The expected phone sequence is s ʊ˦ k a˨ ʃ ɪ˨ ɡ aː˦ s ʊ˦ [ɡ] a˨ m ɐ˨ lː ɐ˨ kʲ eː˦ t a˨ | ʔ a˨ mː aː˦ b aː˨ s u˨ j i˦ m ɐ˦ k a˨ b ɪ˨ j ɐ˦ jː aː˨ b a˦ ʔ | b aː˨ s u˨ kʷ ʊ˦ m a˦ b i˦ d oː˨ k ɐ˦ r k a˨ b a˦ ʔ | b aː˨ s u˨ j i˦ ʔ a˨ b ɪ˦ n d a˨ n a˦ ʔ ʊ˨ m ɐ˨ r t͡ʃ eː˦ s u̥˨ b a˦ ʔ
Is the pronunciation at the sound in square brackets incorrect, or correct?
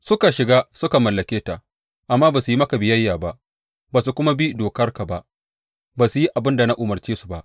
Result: incorrect: k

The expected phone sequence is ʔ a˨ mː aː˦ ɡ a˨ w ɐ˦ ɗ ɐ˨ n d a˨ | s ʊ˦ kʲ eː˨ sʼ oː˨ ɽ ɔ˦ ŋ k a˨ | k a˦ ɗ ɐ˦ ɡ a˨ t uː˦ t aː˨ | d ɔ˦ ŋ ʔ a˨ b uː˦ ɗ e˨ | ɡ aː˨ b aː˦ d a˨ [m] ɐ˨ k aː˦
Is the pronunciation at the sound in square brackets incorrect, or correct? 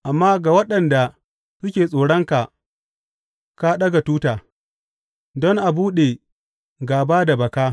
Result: incorrect: b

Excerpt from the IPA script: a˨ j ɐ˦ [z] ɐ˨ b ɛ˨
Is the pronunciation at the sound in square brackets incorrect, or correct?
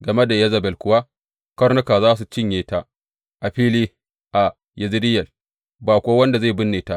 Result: correct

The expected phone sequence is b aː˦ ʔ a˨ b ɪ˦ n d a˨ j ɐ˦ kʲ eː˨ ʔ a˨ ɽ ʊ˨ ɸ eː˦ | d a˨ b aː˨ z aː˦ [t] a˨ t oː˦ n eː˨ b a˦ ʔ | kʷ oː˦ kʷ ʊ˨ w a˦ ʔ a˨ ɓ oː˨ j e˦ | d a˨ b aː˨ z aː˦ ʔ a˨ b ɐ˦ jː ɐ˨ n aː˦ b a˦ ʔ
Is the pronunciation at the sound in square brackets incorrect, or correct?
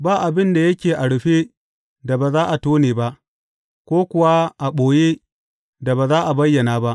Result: incorrect: ʔ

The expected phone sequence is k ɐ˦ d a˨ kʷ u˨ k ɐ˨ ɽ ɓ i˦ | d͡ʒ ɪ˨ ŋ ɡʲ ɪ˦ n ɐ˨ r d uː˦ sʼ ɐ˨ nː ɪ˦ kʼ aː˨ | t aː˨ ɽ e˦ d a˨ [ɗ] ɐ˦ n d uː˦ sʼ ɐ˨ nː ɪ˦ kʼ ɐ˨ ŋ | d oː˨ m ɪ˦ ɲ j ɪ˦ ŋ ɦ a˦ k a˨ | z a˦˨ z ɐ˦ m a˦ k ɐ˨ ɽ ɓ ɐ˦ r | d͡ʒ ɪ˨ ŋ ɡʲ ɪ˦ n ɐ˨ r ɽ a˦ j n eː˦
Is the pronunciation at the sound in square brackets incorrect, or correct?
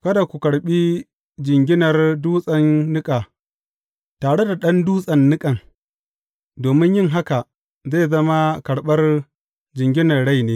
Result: correct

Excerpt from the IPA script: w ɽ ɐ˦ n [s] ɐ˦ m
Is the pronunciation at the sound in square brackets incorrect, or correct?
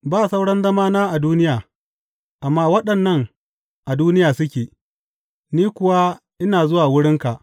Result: incorrect: z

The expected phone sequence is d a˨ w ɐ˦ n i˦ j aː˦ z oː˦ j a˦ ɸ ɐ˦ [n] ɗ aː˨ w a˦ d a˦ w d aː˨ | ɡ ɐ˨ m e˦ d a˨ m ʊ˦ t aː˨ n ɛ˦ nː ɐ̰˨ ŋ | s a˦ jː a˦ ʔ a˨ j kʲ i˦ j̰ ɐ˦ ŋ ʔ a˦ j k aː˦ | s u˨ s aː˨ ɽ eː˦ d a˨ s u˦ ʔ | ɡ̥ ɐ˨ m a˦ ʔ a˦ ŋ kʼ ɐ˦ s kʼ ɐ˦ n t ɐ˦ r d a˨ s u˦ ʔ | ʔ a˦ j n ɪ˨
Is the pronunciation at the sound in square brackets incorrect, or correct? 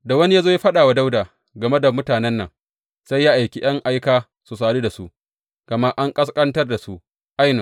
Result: incorrect: none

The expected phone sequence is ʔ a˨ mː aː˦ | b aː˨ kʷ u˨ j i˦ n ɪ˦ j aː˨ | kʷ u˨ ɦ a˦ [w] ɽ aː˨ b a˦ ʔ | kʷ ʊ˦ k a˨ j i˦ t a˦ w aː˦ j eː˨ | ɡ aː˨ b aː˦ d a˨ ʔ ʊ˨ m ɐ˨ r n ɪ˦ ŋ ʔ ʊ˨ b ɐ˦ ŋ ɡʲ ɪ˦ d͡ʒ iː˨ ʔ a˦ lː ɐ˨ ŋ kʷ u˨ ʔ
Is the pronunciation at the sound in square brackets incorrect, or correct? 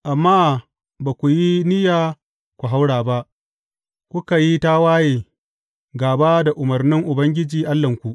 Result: correct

